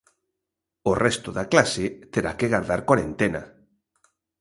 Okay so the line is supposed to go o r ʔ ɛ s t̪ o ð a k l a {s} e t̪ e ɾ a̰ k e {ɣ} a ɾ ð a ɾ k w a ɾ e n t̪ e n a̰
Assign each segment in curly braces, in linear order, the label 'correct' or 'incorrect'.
correct, correct

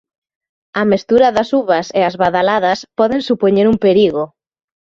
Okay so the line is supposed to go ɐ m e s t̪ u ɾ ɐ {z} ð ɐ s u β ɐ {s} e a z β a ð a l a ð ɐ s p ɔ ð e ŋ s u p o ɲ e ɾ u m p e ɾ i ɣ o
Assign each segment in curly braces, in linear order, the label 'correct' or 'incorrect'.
incorrect: none, correct

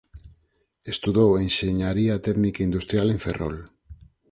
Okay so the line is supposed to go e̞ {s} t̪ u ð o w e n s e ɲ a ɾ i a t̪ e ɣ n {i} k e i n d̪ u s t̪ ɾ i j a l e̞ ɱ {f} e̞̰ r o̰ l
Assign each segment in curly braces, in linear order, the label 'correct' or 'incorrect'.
correct, correct, correct

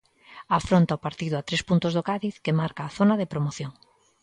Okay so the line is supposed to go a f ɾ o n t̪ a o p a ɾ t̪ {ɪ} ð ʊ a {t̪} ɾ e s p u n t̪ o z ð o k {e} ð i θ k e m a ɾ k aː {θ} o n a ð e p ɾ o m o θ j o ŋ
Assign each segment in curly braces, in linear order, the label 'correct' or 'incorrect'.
incorrect: i, correct, incorrect: a, correct

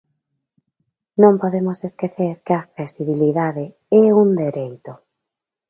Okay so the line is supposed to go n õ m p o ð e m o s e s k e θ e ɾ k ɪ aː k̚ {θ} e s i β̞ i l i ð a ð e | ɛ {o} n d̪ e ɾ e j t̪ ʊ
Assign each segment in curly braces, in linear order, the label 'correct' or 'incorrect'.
correct, incorrect: u

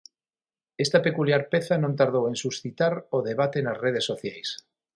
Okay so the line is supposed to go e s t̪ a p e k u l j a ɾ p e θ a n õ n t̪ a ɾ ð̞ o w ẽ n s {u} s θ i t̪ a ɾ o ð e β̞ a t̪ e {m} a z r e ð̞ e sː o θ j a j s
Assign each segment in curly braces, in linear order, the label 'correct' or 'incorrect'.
correct, incorrect: n

